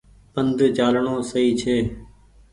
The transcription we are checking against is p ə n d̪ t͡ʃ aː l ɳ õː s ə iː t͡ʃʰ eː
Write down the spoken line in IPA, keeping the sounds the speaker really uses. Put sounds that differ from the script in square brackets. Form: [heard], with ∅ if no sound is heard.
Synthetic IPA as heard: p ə n d̪ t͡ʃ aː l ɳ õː s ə iː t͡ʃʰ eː